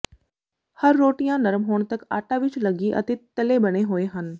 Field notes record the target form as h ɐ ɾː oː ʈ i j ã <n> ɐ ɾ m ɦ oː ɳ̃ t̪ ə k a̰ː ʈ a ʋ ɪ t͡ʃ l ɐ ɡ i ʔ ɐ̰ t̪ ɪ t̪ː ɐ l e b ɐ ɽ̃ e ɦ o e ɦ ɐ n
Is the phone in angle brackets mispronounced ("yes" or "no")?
no